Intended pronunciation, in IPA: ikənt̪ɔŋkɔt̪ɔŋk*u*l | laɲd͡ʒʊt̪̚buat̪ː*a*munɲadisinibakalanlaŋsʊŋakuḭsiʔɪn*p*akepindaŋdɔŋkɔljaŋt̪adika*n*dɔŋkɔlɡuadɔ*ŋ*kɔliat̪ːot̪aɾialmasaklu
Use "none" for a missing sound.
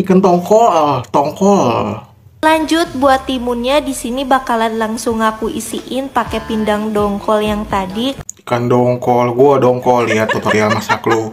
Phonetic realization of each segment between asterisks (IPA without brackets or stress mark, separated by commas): ɔ, i, p, n, ŋ